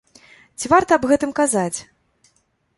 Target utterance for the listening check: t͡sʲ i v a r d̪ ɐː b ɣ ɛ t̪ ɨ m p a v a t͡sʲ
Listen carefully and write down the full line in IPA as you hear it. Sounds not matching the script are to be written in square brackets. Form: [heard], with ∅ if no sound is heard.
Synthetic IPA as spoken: t͡sʲ i v a r [t̪] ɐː b ɣ ɛ t̪ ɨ m [k] a [z] a t͡sʲ